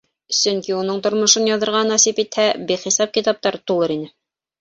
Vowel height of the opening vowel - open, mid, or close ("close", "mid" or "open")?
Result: mid